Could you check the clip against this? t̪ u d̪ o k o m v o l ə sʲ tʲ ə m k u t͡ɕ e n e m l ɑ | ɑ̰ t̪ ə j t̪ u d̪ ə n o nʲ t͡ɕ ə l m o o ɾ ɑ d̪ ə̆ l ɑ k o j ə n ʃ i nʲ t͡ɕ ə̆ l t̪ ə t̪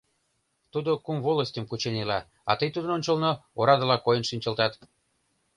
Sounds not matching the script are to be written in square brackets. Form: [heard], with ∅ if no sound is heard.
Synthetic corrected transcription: t̪ u d̪ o k [u] m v o l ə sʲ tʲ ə m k u t͡ɕ e n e [∅] l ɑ | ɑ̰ t̪ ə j t̪ u d̪ ə n o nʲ t͡ɕ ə l [n] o o ɾ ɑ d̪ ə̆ l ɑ k o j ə n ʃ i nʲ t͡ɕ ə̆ l t̪ [ɑ] t̪

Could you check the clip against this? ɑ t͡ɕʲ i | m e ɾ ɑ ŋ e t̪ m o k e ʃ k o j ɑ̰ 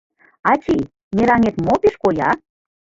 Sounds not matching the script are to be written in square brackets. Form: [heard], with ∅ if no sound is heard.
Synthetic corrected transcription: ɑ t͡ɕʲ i | m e ɾ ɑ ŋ e t̪ m o [p] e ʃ k o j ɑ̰

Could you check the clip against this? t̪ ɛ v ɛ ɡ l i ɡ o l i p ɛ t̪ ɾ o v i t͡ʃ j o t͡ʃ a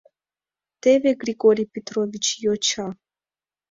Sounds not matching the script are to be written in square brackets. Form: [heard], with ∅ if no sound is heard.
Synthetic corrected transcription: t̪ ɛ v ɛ ɡ [ɾ] i ɡ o [ɾ] i p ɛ t̪ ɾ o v i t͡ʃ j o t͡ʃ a

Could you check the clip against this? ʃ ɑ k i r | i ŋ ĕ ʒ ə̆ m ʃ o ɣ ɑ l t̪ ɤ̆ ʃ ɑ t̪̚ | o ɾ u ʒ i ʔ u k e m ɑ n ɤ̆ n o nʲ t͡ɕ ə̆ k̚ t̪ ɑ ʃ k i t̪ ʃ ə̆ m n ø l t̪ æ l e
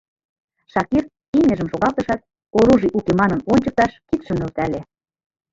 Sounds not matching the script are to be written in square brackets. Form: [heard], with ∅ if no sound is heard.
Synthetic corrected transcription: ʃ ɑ k i r | i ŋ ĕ ʒ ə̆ m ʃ o ɣ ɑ l t̪ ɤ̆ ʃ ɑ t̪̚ | o ɾ u ʒ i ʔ u k e m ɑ n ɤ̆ n o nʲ t͡ɕ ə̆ k̚ t̪ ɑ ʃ k i t̪ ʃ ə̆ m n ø l t̪ æ l e

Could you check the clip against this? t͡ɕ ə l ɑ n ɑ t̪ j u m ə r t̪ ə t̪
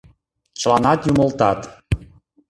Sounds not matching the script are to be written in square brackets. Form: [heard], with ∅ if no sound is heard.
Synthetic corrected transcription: t͡ɕ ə l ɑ n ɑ t̪ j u m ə [l] t̪ [ɑ] t̪

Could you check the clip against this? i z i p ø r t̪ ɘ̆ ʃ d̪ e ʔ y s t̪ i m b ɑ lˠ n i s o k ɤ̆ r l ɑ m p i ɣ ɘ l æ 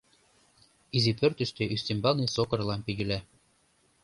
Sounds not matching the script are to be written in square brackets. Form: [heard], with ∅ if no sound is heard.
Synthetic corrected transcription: i z i p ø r t̪ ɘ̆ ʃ [t̪] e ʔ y s t̪ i m b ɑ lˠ n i s o k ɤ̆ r l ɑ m p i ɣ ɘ l æ

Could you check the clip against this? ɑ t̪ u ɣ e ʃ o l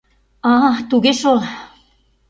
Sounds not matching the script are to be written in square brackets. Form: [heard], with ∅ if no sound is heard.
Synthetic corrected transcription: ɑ t̪ u ɣ e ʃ o l

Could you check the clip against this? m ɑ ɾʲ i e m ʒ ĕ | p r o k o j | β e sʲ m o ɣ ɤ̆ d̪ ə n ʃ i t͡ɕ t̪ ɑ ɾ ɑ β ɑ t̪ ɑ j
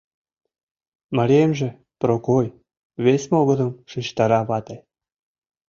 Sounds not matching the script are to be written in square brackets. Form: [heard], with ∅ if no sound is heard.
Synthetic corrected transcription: m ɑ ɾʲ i e m ʒ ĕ | p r o k o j | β e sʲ m o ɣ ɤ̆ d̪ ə [m] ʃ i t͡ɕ t̪ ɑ ɾ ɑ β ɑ t̪ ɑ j

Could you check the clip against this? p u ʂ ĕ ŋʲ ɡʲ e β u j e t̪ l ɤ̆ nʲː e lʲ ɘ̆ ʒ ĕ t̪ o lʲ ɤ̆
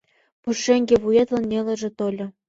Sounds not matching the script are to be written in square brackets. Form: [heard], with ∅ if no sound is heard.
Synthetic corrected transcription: p u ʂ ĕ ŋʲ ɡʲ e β u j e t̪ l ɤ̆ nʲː e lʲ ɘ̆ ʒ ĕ t̪ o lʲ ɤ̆

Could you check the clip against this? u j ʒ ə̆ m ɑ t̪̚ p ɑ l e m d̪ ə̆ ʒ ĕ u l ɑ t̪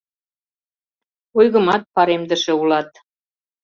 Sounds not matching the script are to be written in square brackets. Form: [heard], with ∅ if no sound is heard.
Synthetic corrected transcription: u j [ɣ] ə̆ m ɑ t̪̚ p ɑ [ɾ] e m d̪ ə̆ [ʃ] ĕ u l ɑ t̪

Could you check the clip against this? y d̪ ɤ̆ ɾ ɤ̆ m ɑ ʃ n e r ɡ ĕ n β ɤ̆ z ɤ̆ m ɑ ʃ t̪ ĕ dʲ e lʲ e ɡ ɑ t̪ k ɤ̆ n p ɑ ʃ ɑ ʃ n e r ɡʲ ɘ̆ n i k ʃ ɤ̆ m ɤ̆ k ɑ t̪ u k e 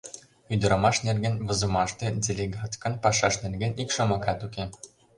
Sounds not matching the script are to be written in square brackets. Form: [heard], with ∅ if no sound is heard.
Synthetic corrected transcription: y d̪ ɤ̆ ɾ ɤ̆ m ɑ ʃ n e r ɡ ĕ n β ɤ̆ z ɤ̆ m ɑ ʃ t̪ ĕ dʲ e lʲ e ɡ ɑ t̪ k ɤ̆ n p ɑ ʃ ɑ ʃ n e r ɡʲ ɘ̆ n i k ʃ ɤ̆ m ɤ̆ k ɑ t̪ u k e

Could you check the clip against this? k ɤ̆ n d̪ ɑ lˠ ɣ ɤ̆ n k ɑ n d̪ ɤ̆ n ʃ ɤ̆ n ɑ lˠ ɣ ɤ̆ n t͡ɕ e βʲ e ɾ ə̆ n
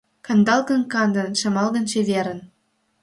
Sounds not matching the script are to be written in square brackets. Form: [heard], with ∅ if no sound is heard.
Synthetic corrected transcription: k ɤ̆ n d̪ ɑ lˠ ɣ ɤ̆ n k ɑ n d̪ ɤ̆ n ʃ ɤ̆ [m] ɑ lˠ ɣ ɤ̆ n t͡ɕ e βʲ e ɾ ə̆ n

